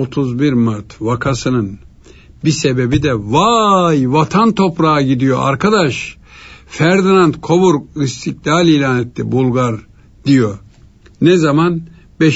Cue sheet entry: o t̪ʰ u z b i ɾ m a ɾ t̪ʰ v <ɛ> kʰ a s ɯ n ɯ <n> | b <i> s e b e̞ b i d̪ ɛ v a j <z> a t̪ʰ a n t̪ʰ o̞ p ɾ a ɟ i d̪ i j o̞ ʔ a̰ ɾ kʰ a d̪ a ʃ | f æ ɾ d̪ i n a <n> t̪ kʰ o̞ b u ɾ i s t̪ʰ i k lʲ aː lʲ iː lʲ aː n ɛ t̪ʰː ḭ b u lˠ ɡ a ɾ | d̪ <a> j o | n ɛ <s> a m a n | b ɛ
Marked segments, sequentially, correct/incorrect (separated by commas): incorrect, correct, correct, incorrect, correct, incorrect, incorrect